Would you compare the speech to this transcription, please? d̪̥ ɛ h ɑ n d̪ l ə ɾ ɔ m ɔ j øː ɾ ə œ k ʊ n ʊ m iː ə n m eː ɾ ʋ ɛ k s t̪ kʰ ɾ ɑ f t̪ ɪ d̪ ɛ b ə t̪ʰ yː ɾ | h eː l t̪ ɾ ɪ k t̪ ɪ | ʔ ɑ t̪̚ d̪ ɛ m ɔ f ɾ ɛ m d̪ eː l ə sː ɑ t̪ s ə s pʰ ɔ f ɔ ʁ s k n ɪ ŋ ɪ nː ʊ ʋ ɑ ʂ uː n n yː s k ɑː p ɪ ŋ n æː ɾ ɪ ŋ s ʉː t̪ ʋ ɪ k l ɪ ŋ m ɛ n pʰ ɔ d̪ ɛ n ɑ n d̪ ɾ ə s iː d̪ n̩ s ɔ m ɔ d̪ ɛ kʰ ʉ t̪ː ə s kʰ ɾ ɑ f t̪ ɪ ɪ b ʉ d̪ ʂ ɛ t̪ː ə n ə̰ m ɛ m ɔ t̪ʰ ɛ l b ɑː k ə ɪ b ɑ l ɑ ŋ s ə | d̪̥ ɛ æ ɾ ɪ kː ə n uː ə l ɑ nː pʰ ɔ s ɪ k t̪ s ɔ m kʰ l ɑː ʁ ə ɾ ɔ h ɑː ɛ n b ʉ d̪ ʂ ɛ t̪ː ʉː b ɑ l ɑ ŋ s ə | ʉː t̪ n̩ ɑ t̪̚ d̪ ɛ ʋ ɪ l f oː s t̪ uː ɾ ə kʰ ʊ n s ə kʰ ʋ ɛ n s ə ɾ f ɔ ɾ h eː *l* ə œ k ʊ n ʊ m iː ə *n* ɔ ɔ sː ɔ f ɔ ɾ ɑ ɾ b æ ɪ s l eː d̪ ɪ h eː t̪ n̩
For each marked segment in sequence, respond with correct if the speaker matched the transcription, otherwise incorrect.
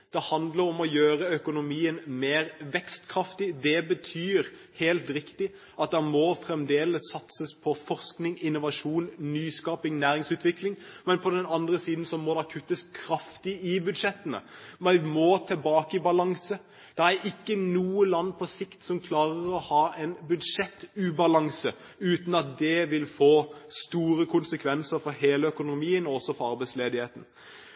correct, correct

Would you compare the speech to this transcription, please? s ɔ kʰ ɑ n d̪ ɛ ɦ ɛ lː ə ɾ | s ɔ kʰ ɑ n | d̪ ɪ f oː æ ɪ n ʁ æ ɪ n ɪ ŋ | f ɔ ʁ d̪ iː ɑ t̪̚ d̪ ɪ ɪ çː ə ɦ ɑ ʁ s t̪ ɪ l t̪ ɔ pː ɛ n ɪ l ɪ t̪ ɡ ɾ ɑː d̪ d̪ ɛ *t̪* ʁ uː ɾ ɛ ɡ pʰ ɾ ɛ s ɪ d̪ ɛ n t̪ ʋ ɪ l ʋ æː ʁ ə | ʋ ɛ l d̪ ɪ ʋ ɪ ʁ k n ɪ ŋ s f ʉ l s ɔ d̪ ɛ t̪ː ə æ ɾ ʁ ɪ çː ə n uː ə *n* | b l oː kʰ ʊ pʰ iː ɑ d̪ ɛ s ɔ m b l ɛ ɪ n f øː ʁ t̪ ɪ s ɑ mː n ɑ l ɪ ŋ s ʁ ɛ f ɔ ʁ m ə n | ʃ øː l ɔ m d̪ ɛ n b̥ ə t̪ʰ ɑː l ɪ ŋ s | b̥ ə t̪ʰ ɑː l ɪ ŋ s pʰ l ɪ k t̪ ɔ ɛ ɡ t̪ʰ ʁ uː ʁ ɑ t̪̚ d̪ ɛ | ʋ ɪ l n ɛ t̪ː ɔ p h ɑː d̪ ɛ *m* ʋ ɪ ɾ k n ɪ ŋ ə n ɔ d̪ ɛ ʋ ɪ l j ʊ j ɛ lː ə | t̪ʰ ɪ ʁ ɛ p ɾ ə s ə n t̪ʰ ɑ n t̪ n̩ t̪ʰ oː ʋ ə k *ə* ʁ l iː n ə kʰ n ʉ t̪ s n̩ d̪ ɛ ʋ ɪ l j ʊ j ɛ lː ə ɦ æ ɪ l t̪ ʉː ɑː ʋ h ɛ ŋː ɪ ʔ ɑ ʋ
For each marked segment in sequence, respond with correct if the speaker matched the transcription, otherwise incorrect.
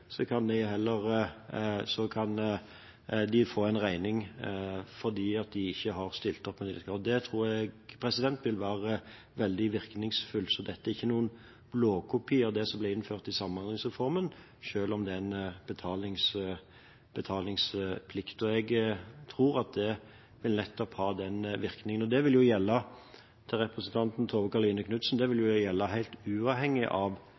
incorrect, correct, incorrect, incorrect

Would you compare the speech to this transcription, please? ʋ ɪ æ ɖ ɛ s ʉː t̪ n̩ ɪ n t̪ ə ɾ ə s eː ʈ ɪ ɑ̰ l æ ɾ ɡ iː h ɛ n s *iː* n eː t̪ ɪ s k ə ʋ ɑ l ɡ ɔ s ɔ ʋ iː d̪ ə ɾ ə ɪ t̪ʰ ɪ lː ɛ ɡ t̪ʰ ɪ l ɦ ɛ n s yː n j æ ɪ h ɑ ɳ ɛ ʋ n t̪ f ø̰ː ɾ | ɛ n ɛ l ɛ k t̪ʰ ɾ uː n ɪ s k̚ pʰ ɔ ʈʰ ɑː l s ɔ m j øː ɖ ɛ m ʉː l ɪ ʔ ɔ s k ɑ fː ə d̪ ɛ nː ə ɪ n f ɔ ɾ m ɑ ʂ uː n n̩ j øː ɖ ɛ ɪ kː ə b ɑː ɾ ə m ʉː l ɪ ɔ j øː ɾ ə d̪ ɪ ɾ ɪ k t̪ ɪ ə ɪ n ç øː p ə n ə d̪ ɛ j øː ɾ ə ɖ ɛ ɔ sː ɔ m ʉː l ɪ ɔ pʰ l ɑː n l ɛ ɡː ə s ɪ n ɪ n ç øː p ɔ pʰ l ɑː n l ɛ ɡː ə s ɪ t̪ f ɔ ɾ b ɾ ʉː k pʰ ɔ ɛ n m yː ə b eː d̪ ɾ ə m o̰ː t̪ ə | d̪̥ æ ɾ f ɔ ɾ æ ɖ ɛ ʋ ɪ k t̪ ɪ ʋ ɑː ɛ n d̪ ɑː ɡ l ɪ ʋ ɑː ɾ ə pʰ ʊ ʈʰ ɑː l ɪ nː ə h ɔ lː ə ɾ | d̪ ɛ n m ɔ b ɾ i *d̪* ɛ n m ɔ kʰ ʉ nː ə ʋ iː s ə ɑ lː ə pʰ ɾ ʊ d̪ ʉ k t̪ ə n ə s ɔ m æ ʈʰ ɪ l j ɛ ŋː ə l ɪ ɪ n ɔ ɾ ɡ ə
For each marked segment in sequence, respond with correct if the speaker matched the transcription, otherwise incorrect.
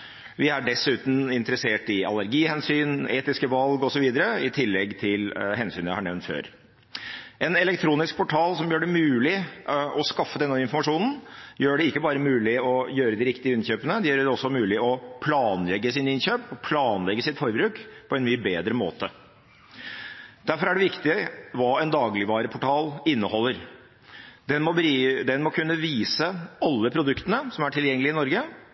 incorrect, correct

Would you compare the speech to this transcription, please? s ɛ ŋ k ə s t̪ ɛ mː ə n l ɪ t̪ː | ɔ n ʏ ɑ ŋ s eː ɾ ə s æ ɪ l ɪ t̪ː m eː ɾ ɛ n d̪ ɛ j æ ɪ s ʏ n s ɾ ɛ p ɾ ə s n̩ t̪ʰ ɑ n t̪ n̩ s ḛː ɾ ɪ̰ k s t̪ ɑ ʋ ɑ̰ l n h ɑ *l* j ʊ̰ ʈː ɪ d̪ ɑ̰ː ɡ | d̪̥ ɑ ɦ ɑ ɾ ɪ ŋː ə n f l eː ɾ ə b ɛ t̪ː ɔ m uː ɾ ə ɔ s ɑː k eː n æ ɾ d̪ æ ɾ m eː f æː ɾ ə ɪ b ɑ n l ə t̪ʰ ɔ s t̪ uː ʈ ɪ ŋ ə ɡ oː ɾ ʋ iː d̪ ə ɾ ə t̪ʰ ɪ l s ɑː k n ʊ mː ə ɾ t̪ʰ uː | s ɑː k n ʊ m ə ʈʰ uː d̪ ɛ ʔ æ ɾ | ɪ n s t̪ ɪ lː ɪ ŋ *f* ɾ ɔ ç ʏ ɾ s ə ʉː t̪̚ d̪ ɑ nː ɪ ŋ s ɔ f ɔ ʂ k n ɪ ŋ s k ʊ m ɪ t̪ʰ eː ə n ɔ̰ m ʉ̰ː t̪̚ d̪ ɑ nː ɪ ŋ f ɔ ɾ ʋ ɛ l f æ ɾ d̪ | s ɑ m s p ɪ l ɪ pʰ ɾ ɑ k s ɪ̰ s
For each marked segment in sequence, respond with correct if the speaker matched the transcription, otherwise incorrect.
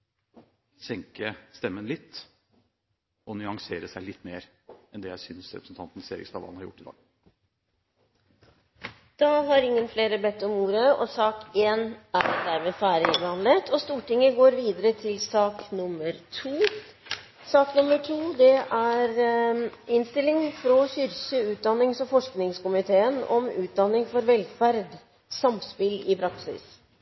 incorrect, correct

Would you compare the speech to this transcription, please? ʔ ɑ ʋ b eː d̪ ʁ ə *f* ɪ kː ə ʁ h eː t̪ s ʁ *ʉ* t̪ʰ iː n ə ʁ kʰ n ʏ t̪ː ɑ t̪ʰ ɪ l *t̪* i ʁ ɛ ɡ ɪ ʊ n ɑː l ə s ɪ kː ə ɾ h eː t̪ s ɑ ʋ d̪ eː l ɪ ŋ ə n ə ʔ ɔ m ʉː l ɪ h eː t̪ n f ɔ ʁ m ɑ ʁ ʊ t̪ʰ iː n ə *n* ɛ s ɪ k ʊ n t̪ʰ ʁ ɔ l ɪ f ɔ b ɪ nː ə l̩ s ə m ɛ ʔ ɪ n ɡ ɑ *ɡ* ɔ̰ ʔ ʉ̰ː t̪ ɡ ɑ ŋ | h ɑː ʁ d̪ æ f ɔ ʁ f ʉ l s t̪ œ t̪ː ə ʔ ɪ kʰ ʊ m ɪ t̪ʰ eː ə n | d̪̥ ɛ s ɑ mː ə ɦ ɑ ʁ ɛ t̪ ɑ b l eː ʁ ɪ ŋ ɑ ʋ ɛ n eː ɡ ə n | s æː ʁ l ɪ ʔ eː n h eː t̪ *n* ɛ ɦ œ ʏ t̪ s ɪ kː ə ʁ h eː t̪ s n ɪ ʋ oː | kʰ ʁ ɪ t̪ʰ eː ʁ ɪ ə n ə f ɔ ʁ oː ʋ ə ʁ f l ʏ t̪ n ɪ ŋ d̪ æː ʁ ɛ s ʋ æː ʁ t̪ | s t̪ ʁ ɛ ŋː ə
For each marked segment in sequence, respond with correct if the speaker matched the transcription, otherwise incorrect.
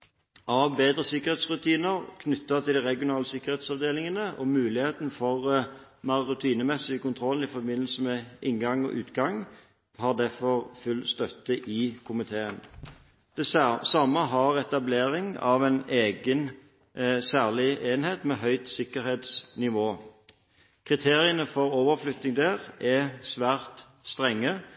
incorrect, correct, incorrect, incorrect, incorrect, incorrect

